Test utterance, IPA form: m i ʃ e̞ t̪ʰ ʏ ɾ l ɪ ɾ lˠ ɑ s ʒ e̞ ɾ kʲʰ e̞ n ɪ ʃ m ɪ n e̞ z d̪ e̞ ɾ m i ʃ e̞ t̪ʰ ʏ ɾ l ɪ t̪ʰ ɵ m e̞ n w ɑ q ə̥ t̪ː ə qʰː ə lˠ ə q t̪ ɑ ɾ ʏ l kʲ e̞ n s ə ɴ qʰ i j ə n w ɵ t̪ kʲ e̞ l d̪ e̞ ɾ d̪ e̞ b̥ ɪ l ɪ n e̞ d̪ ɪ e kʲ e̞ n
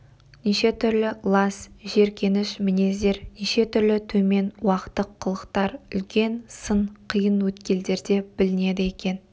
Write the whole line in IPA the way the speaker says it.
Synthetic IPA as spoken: n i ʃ e̞ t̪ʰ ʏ ɾ l ɪ lˠ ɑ s ʒ e̞ ɾ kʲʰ e̞ n ɪ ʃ m ɪ n e̞ z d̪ e̞ ɾ n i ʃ e̞ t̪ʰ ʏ ɾ l ɪ t̪ʰ ɵ m e̞ n w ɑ q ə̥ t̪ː ə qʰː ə lˠ ə q t̪ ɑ ɾ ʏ l kʲ e̞ n s ə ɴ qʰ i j ə n w ɵ t̪ kʲ e̞ l d̪ e̞ ɾ d̪ e̞ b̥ ɪ l ɪ n e̞ d̪ ɪ e kʲ e̞ n